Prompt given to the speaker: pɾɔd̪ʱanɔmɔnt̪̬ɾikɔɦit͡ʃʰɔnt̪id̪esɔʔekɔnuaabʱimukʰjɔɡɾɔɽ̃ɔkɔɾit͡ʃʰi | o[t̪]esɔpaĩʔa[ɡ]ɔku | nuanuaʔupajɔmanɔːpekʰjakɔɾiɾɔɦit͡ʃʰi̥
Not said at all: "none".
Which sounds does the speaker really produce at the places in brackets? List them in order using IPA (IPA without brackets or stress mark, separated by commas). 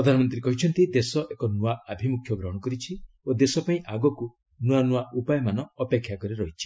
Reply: d̪, ɡ